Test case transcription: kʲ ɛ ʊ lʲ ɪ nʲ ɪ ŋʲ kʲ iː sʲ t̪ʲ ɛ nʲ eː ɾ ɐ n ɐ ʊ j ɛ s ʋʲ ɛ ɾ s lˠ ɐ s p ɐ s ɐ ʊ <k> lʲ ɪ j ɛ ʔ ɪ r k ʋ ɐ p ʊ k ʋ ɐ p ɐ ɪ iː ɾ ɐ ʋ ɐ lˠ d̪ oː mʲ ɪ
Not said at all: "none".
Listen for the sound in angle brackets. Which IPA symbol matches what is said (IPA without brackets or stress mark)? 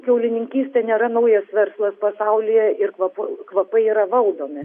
none